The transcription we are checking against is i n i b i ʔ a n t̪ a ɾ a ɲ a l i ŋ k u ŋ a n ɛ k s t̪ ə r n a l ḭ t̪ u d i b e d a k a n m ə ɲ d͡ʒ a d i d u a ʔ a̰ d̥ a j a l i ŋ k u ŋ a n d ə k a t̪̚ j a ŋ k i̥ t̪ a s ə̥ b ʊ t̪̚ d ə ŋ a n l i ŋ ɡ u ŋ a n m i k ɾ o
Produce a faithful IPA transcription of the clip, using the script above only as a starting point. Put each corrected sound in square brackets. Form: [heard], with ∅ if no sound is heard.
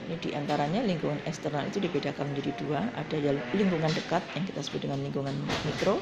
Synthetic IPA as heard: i n i [d] i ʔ a n t̪ a ɾ a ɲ a l i ŋ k u ŋ a n ɛ k s t̪ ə r n a l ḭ t̪ u d i b e d a k a n m ə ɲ d͡ʒ a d i d u a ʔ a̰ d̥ a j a l i ŋ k u ŋ a n d ə k a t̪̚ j a ŋ k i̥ t̪ a s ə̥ b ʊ t̪̚ d ə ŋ a n l i ŋ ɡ u ŋ a n m i k ɾ o